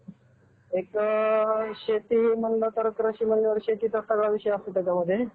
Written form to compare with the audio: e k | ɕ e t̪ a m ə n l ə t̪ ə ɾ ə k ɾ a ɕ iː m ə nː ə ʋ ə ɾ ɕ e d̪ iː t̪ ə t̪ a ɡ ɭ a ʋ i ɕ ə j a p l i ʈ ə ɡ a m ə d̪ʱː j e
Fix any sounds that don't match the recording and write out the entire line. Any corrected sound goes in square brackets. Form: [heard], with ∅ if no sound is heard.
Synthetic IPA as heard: e k | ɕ e t̪ [i] m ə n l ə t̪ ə ɾ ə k ɾ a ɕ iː m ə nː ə ʋ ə ɾ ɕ e [t̪] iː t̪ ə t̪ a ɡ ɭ a ʋ i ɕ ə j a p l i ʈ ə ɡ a m ə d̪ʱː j e